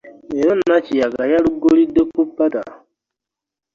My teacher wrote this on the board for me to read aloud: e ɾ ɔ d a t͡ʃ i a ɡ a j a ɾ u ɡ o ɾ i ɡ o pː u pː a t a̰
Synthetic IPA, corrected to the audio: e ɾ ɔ n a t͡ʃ i a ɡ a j a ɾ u ɡ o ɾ i d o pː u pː a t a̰